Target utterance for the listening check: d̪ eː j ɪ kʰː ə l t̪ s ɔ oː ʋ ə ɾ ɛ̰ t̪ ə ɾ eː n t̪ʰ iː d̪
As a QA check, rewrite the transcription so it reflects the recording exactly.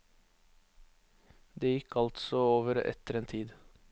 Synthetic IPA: d̪ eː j ɪ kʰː ɑ l t̪ s ɔ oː ʋ ə ɾ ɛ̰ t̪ ə ɾ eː n t̪ʰ iː d̪